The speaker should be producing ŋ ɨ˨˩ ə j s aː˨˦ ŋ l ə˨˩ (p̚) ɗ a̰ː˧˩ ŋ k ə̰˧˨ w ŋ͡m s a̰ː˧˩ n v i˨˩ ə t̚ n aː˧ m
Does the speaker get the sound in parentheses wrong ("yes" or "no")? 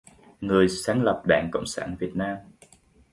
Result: no